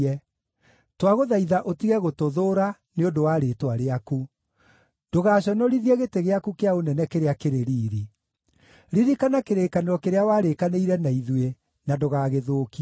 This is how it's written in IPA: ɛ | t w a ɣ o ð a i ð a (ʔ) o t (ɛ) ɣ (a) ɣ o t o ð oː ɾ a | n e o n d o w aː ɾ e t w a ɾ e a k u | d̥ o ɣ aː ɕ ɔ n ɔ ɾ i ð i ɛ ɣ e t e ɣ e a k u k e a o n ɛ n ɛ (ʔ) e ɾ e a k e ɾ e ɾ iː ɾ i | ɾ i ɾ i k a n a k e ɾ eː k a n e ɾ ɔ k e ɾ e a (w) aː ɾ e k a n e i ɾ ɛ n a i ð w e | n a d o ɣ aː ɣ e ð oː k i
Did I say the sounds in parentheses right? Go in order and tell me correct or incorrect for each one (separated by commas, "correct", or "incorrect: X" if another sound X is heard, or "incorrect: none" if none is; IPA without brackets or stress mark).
correct, incorrect: i, incorrect: ɛ, incorrect: k, correct